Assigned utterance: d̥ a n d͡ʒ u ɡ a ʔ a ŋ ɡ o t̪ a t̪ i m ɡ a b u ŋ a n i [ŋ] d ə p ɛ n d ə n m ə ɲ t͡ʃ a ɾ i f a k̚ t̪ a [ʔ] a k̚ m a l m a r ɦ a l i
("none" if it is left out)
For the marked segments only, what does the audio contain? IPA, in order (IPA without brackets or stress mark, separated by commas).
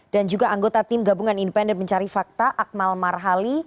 n, ʔ